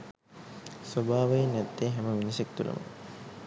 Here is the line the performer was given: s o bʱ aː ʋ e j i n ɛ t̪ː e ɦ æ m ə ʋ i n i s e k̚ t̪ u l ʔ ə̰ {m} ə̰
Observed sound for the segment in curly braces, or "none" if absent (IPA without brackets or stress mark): m